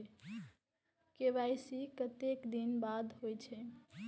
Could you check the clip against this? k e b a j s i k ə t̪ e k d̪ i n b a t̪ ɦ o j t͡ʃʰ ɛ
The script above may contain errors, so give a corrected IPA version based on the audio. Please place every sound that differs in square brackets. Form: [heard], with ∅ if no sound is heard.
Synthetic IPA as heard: k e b a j s i k ə t̪ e k d̪ i n b a [d̪] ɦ o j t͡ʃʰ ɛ